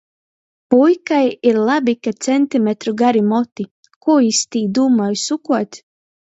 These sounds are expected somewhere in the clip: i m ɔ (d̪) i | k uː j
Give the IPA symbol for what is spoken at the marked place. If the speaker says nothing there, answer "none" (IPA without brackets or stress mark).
t̪